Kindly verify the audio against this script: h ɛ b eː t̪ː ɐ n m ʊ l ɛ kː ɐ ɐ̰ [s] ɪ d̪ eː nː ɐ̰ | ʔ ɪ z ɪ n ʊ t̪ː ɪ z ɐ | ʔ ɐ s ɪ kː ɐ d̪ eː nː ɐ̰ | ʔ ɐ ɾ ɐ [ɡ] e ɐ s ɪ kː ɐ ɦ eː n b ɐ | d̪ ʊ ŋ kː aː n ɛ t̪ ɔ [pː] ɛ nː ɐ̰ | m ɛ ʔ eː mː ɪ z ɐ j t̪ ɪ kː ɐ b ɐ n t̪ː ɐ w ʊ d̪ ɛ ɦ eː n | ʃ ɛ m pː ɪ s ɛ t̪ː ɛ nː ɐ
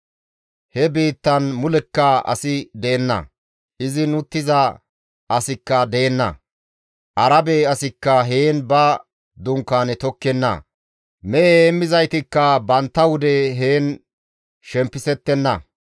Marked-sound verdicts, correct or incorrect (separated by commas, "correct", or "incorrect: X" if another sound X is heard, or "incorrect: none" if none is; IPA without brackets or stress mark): correct, incorrect: b, incorrect: kː